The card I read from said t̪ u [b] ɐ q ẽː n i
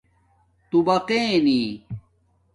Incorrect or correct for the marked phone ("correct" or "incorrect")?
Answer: correct